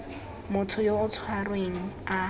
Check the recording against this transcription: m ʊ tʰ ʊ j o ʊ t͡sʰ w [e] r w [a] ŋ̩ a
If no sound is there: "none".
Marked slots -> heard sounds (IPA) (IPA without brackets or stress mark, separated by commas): a, e